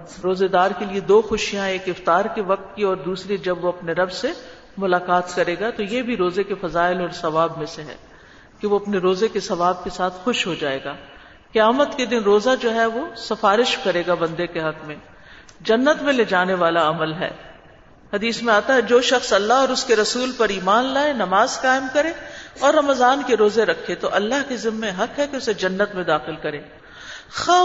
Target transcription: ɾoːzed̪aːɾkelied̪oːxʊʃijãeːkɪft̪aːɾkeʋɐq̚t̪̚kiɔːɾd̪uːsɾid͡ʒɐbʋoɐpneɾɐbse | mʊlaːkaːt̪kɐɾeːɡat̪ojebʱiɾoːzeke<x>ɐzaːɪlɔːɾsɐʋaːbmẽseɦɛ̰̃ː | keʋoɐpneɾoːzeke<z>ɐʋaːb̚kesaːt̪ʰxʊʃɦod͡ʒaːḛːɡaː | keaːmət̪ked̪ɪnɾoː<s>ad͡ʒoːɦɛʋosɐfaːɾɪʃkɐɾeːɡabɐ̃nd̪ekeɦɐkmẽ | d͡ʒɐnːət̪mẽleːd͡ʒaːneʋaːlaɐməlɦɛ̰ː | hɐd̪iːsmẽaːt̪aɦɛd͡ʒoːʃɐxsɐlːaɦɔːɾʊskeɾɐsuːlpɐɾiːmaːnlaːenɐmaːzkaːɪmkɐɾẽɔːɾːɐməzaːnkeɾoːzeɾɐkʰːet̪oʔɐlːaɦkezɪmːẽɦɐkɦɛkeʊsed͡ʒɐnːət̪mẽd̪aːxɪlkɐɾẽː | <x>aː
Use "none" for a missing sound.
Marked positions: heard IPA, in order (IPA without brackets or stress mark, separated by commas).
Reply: f, s, z, x